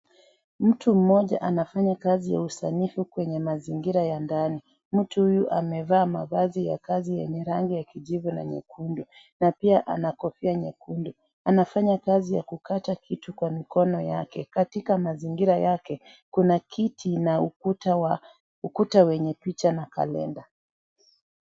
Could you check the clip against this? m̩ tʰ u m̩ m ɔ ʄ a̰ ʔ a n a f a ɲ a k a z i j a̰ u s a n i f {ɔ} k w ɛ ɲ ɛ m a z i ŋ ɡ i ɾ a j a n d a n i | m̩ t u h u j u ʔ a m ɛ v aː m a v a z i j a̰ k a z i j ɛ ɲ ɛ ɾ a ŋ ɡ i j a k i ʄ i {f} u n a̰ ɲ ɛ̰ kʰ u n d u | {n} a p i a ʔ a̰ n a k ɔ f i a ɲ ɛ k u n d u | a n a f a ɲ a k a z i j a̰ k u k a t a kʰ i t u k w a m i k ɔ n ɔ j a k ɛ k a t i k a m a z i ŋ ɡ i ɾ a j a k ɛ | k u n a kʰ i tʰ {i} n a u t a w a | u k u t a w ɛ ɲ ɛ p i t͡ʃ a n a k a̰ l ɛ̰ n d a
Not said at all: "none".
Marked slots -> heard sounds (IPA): u, v, n, i

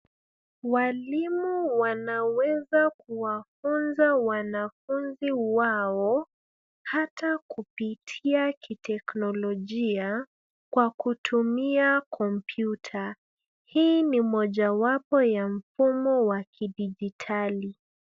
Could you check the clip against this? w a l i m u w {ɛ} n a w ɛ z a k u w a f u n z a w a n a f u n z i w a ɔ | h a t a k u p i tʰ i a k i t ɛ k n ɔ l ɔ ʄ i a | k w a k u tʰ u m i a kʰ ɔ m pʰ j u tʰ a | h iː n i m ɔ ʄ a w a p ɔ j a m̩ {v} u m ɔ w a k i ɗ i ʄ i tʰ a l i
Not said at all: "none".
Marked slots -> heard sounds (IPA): a, f

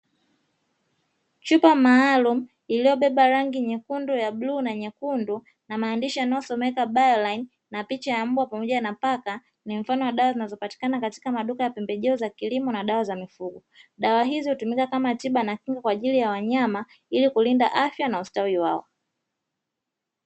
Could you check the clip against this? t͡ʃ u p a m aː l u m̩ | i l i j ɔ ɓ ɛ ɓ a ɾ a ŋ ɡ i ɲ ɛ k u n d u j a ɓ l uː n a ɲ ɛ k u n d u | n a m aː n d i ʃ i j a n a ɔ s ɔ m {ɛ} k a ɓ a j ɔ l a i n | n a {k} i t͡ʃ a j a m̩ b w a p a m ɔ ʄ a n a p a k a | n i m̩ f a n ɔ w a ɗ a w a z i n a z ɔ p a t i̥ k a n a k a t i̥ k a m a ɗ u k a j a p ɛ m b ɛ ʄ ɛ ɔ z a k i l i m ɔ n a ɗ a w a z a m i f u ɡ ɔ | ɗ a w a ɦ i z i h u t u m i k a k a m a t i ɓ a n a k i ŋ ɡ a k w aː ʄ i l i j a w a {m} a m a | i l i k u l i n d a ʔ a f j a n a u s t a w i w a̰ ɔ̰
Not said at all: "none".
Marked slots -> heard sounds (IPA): ɛ, p, ɲ

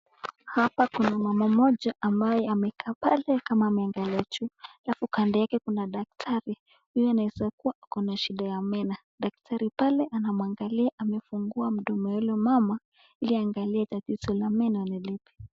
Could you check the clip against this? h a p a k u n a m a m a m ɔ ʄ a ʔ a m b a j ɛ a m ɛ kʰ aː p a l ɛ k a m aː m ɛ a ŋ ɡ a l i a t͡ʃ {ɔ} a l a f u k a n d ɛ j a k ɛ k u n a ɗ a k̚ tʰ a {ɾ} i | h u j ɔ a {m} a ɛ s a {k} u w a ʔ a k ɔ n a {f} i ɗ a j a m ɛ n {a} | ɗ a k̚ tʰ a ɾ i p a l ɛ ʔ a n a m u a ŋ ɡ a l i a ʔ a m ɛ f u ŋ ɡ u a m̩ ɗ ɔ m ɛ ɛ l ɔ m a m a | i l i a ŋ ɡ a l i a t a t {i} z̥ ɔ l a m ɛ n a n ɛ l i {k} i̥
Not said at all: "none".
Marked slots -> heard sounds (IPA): u, ɾ, n, k, ʃ, a, i, p

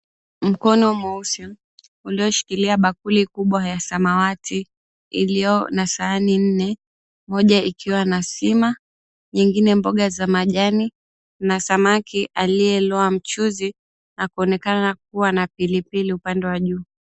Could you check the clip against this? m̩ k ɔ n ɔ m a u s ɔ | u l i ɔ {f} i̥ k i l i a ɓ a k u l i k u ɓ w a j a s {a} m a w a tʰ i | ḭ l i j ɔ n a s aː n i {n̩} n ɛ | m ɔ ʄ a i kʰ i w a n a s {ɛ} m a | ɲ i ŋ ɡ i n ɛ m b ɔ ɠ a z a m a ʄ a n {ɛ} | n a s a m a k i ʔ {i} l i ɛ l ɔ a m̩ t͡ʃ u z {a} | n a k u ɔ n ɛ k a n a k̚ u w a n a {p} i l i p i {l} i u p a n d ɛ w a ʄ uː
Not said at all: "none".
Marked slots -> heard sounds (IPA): ʃ, a, n̩, i, i, a, i, p, l

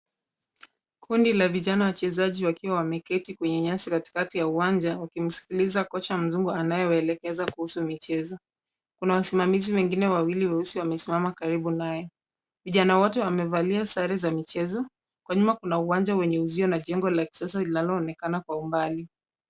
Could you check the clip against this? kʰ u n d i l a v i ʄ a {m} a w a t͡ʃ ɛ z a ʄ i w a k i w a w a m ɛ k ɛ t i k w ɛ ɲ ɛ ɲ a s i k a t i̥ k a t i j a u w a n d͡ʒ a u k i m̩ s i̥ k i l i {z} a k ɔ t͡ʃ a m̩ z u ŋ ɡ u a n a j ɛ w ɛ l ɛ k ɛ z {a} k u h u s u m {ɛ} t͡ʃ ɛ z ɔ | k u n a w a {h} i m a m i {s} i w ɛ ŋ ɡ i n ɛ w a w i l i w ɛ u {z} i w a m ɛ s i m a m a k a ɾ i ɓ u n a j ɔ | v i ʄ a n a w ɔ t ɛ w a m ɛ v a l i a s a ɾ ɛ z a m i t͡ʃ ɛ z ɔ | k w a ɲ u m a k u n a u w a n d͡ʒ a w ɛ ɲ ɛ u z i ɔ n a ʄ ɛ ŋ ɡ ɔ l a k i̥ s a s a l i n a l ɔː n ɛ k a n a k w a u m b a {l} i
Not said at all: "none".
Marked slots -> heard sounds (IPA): n, z, a, i, s, z, s, l

